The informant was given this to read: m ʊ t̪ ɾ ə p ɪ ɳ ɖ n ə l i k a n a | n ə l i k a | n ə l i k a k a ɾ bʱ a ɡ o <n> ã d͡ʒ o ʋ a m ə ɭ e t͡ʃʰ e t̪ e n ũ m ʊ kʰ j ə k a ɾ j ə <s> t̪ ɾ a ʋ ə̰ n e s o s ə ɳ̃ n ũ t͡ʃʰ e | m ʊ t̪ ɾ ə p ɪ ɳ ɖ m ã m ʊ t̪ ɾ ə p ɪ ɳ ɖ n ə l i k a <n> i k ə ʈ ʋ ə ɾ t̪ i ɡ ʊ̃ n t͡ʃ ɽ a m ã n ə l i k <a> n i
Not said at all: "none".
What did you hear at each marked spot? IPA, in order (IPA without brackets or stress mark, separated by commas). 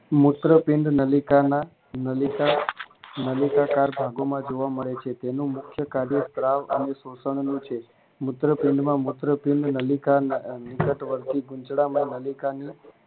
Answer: m, s, n, a